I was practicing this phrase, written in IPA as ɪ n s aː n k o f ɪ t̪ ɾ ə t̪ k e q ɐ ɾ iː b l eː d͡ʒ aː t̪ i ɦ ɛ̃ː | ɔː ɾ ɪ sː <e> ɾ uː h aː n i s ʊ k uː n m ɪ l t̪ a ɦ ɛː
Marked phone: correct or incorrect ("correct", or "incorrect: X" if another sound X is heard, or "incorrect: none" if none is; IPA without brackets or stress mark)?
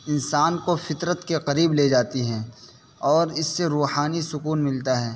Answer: correct